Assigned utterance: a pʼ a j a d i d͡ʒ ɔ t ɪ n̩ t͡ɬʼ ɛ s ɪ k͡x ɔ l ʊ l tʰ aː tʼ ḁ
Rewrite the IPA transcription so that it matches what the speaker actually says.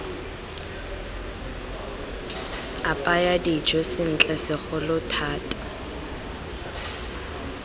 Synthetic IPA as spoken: a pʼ a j a d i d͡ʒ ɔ s ɪ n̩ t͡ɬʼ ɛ s ɪ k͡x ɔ l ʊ tʰ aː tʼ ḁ